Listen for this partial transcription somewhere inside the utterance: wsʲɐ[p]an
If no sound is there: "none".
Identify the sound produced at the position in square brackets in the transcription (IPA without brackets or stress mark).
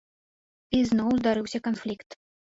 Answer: k